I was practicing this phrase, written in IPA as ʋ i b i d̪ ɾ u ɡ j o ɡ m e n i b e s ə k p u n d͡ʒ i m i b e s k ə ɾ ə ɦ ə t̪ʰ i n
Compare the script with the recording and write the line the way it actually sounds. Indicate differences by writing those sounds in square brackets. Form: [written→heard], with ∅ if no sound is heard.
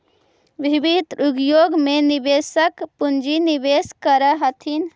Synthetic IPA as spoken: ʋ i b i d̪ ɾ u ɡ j o ɡ m e n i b e s ə k p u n d͡ʒ i [m→n] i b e s k ə ɾ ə ɦ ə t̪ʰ i n